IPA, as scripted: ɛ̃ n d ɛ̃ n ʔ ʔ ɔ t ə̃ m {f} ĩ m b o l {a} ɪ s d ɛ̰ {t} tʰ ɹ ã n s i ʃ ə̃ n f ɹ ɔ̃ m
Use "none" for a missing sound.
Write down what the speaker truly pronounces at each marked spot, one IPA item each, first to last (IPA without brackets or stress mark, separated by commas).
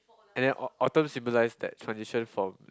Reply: s, a, t